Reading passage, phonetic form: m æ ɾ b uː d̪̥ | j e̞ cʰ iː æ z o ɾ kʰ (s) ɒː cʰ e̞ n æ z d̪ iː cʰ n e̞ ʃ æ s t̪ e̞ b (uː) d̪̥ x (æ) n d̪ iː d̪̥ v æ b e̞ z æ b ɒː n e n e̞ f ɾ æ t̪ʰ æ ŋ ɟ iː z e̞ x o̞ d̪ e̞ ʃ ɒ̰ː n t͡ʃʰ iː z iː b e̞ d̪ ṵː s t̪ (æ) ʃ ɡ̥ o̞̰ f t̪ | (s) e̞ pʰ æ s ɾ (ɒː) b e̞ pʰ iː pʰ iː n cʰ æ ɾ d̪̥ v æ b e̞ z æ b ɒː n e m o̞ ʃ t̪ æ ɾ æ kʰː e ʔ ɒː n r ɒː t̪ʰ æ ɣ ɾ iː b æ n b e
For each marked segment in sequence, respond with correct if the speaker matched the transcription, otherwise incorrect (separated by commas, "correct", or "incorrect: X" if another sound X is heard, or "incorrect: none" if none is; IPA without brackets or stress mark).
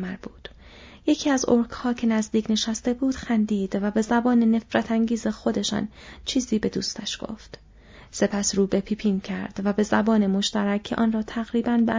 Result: incorrect: h, correct, correct, correct, correct, incorrect: uː